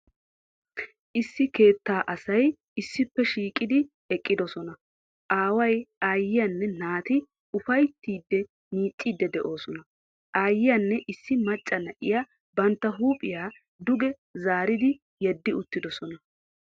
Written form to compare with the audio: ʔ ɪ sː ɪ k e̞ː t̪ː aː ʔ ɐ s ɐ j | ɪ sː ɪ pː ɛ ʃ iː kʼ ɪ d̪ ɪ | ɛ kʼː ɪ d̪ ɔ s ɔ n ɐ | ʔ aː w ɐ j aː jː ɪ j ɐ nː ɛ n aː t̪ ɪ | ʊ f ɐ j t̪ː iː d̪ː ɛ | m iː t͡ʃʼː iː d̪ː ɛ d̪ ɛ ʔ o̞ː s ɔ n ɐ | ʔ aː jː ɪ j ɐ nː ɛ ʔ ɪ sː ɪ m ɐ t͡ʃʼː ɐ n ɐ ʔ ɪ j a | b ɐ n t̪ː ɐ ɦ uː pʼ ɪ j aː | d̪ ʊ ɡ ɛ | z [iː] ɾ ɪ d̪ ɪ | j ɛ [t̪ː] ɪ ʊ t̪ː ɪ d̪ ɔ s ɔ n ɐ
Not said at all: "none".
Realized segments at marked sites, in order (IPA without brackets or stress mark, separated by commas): aː, d̪ː